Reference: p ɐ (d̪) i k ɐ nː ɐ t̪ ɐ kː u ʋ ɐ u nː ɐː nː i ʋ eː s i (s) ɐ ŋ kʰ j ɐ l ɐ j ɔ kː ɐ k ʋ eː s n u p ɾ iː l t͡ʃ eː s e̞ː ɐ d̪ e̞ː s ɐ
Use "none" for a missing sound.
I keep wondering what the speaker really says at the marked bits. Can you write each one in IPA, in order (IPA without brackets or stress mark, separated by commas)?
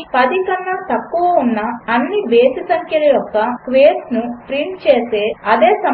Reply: d̪, s